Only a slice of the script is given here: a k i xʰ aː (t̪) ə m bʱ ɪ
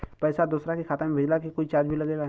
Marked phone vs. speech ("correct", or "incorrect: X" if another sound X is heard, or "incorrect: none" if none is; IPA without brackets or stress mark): correct